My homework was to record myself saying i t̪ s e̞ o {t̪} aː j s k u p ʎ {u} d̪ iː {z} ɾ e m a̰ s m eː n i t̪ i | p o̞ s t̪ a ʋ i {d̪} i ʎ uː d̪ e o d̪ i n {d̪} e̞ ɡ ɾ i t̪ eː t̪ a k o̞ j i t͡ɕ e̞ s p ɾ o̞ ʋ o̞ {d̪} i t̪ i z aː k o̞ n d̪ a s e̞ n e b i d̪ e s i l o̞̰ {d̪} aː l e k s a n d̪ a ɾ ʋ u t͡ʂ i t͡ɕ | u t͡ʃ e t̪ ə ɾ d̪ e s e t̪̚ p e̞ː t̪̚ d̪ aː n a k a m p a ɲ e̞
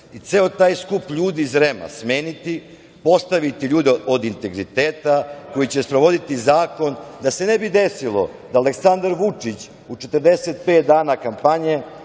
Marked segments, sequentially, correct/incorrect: correct, incorrect, correct, incorrect, incorrect, correct, correct

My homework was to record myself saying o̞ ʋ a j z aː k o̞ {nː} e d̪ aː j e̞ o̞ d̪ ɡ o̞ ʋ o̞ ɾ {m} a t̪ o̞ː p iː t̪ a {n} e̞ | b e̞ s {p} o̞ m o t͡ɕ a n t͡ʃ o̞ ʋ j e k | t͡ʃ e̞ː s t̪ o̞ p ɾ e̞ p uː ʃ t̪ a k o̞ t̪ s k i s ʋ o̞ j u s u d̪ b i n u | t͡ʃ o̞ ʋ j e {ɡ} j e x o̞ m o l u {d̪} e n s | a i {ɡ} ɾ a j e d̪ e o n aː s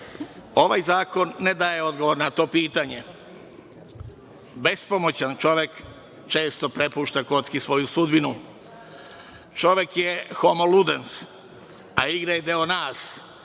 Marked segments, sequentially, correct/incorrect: correct, incorrect, incorrect, correct, incorrect, correct, correct

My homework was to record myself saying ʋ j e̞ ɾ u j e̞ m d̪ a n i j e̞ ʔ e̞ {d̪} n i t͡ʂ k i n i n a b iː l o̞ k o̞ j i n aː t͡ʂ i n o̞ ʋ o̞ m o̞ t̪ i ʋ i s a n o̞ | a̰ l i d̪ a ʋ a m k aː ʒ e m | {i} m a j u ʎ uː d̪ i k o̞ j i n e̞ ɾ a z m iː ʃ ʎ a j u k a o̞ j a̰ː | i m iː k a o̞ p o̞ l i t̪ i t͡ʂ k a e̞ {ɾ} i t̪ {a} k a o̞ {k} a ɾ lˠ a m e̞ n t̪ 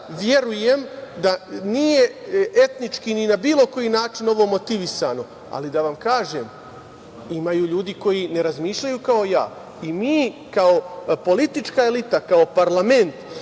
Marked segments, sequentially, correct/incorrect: incorrect, correct, incorrect, correct, incorrect

